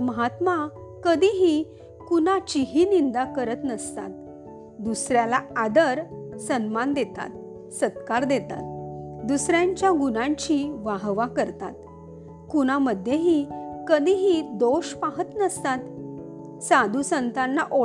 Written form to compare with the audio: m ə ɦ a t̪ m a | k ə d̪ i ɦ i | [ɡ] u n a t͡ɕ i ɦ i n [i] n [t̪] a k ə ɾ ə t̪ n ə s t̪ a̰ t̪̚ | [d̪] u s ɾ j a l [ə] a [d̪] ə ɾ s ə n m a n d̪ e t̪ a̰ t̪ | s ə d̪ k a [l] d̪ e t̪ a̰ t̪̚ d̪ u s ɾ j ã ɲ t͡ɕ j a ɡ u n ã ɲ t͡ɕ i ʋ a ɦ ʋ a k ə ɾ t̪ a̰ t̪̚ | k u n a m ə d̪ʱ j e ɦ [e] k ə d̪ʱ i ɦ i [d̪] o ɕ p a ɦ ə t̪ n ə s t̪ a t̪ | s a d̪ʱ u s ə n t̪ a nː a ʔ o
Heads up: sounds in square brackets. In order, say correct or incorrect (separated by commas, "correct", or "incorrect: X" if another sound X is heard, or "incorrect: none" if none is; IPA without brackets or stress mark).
incorrect: k, correct, incorrect: d̪, correct, incorrect: a, correct, incorrect: ɾ, incorrect: i, correct